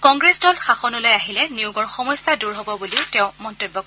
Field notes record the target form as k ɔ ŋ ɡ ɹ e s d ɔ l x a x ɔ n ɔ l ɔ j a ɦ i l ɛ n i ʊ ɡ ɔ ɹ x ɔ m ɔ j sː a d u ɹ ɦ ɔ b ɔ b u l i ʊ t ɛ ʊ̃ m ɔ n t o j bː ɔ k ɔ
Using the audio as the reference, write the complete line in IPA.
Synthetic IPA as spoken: k ɔ ŋ ɡ ɹ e s d ɔ l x a x ɔ n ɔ l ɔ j a ɦ i l ɛ n i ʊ ɡ ɔ ɹ x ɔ m ɔ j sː a d u ɹ ɦ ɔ b ɔ b u l i ʊ t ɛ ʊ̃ m ɔ n t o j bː ɔ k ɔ

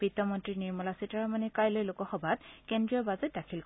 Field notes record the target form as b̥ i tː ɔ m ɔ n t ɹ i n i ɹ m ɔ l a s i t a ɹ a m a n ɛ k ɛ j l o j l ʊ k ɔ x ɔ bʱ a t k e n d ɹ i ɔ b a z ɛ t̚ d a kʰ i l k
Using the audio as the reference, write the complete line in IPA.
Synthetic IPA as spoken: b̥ i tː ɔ m ɔ n t ɹ i n i ɹ m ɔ l a s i t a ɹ a m a n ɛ k a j l o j l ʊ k ɔ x ɔ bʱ a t k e n d ɹ i ɔ b a z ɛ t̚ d a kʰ i l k

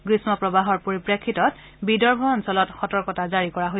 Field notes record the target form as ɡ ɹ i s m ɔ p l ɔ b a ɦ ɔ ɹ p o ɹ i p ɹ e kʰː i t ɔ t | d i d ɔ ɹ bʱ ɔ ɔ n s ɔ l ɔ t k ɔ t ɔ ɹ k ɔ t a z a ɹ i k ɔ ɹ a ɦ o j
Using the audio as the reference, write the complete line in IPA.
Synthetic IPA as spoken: ɡ ɹ i s m ɔ p ɹ ɔ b a ɦ ɔ ɹ p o ɹ i p ɹ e kʰː i t ɔ t | b i d ɔ ɹ bʱ ɔ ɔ n s ɔ l ɔ t x ɔ t ɔ ɹ k ɔ t a z a ɹ i k ɔ ɹ a ɦ o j

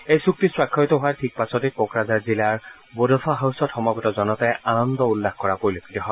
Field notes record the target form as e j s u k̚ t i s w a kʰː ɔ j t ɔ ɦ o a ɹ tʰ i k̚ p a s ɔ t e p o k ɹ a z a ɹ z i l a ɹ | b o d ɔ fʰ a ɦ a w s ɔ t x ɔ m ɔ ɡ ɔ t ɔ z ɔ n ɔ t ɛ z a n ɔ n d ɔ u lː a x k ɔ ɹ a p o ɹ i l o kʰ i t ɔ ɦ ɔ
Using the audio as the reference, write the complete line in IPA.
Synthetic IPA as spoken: e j s u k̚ t i s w a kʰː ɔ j t ɔ ɦ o a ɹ tʰ i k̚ p a s ɔ t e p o k ɹ a z a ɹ z i l a ɹ | b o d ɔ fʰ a ɦ a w s ɔ t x ɔ m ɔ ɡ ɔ t ɔ z ɔ n ɔ t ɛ a n ɔ n d ɔ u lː a x k ɔ ɹ a p o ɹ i l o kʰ i t ɔ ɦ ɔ

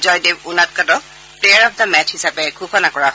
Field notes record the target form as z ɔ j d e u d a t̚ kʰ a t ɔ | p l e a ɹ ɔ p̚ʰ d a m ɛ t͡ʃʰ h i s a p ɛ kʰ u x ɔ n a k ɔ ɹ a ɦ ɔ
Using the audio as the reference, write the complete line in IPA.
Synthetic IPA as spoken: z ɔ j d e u n a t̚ k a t ɔ | p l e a ɹ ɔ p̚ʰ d a m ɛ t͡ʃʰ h i s a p ɛ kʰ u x ɔ n a k ɔ ɹ a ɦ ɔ

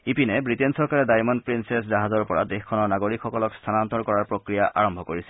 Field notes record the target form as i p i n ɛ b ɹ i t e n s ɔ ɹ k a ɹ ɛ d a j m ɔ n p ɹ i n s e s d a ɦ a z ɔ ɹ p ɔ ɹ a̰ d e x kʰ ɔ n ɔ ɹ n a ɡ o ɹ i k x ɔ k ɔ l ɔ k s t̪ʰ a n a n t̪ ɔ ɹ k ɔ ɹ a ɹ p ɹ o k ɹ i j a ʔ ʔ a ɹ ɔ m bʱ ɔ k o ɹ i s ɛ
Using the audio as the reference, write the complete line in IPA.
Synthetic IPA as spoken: i p i n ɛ b ɹ i t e n s ɔ ɹ k a ɹ ɛ d a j m ɔ n p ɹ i n s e s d a ɦ a z ɔ ɹ p ɔ ɹ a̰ d e x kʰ ɔ n ɔ ɹ n a ɡ o ɹ i k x ɔ k ɔ l ɔ k s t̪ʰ a n a n t̪ ɔ ɹ k ɔ ɹ a ɹ p ɹ o k ɹ i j a ʔ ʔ a ɹ ɔ m bʱ ɔ k o ɹ i s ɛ

